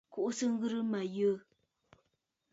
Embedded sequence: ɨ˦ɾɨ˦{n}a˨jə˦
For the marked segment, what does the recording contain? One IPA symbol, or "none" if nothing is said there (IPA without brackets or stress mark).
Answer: m